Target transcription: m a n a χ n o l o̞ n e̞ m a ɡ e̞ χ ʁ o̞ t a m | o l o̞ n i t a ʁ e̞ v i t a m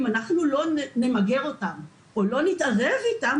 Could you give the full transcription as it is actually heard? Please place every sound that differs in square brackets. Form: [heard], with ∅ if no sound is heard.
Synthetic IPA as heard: m a n a χ n [u] l o̞ n e̞ m a ɡ e̞ [∅] ʁ o̞ t a m | o l o̞ n i t a ʁ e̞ v i t a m